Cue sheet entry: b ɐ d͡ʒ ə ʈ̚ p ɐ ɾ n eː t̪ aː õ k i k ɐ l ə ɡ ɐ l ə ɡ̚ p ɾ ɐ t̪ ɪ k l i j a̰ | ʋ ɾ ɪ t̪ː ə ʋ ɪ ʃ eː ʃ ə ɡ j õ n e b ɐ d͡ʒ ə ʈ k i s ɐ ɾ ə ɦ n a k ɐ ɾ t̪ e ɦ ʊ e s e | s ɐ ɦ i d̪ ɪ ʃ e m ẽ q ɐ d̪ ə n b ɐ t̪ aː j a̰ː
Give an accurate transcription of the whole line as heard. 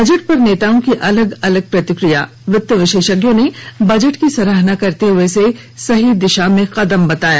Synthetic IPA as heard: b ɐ d͡ʒ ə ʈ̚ p ɐ ɾ n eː t̪ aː õ k i ʔ ɐ l ə ɡ ɐ l ə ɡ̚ p ɾ ɐ t̪ ɪ k ɾ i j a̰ | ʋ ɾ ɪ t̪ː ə ʋ ɪ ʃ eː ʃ ə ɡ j õ n e b ɐ d͡ʒ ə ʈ k i s ɐ ɾ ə ɦ n a k ɐ ɾ t̪ e ɦ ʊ e s e | s ɐ ɦ i d̪ ɪ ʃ a m ẽ q ɐ d̪ ə m b ɐ t̪ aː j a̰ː